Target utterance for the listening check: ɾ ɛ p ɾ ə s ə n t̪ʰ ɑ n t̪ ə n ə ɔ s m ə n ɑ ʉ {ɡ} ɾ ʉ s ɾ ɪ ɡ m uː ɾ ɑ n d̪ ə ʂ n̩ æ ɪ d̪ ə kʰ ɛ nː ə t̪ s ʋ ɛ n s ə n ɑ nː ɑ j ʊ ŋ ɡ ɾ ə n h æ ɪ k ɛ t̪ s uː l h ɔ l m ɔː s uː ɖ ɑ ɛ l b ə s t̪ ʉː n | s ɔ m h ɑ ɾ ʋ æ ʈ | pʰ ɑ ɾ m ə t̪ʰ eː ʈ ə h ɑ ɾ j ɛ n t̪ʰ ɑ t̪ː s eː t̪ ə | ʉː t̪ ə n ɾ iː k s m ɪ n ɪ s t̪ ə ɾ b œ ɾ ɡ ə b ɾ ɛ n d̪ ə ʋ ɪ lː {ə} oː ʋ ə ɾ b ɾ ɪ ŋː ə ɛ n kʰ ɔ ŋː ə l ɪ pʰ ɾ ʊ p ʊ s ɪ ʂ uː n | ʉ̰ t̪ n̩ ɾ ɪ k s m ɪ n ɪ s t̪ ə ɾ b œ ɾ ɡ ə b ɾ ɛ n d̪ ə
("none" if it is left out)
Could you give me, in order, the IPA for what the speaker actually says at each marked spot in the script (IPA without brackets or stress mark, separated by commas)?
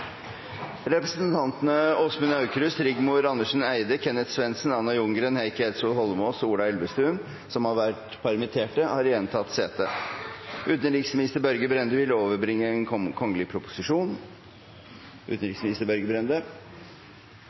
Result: k, ə